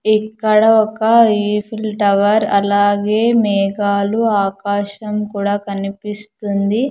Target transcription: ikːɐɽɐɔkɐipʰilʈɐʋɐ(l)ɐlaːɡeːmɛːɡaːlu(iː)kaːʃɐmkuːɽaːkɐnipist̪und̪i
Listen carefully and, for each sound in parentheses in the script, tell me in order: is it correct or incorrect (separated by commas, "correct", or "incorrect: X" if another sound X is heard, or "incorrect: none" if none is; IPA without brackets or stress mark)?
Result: incorrect: ɾ, incorrect: aː